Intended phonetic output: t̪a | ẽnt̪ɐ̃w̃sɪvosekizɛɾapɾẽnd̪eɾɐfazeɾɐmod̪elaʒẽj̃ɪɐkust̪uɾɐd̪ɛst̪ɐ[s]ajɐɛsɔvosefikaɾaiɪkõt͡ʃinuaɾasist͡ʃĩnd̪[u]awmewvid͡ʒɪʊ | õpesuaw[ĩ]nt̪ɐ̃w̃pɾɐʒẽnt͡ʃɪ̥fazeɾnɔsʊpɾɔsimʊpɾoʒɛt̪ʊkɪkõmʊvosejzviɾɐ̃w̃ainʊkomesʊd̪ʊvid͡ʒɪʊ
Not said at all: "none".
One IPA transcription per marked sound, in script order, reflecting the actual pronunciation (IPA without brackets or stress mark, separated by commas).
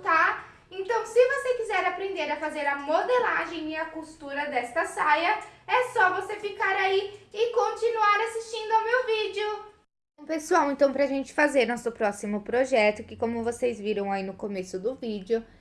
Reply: s, ʊ, ẽ